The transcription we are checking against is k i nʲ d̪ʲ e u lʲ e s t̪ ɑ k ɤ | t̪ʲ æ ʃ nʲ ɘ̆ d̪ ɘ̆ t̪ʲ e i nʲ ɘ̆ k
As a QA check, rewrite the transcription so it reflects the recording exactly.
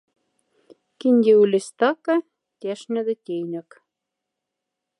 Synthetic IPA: k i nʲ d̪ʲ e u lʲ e s t̪ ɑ k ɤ | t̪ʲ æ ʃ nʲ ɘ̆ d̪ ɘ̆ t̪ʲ e j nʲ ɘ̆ k

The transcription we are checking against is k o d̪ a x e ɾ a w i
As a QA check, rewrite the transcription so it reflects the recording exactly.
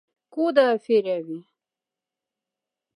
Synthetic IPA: k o d̪ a f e ɾ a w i

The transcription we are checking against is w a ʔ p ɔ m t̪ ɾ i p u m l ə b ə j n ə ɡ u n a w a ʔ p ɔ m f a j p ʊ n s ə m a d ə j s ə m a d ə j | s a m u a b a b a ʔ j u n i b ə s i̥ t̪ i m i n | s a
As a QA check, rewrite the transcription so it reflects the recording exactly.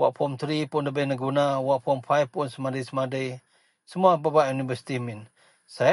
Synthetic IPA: w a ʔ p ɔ m t̪ ɾ i p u n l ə b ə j n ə ɡ u n a w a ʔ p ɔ m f a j p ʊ n s ə m a d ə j s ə m a d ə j | s ə m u a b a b a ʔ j u n i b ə s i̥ t̪ i m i n | s a

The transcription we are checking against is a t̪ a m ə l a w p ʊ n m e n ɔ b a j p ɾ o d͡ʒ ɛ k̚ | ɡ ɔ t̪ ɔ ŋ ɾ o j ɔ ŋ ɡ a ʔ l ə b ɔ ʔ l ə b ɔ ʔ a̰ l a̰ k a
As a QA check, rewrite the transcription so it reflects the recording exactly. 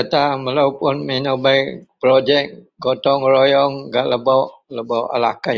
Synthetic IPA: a t̪ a m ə l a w p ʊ n m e n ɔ b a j p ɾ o d͡ʒ ɛ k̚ | ɡ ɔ t̪ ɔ ŋ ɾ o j ɔ ŋ ɡ a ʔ l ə b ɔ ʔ l ə b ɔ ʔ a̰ l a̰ k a

